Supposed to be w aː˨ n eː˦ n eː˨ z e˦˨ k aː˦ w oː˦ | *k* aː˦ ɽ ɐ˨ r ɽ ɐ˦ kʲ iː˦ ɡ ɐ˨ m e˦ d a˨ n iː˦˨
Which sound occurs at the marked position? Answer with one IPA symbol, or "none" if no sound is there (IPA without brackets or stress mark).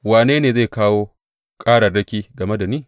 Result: kʼ